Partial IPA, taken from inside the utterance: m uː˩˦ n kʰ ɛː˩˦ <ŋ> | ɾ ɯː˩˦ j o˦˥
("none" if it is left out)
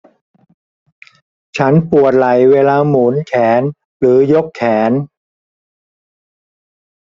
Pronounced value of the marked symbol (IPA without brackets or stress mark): n